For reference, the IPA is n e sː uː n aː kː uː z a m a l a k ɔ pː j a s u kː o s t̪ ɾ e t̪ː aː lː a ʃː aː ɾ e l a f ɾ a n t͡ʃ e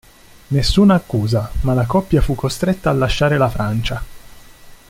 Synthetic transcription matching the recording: n e sː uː n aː kː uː z a m a l a k ɔ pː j a f u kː o s t̪ ɾ e t̪ː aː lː a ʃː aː ɾ e l a f ɾ a n t͡ʃ a